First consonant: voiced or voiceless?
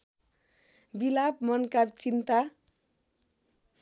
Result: voiced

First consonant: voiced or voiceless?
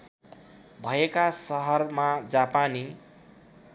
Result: voiced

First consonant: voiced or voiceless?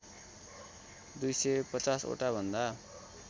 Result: voiced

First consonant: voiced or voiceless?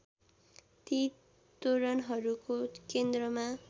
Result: voiceless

